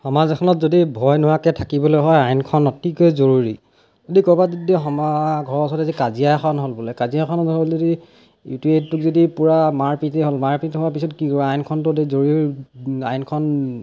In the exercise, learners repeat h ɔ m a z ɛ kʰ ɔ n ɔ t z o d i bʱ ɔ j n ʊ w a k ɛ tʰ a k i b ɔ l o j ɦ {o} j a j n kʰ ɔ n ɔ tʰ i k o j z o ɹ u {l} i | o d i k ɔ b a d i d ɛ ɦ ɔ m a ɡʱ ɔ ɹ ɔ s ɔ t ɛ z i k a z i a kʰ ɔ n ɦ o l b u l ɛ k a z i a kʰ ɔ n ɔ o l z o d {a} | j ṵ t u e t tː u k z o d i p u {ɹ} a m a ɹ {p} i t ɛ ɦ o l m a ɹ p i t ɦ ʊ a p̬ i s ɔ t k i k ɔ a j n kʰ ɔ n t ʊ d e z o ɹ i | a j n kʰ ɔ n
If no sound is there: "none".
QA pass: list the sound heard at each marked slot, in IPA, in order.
ɔ, ɹ, i, ɹ, p

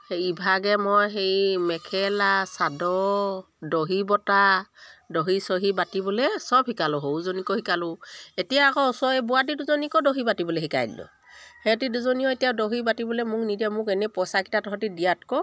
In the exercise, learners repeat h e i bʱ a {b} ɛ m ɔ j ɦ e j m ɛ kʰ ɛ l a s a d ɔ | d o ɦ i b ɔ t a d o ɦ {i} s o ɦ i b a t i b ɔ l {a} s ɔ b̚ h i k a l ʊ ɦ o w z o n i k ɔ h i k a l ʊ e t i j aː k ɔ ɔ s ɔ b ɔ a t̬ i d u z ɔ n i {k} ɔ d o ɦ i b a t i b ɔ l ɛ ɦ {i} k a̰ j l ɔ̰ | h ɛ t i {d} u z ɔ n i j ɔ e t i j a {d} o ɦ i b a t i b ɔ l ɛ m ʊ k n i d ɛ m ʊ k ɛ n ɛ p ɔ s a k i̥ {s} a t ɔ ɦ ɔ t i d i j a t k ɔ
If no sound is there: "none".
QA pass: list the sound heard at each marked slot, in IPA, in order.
ɡ, i, ɛ, k, i, d, d, t

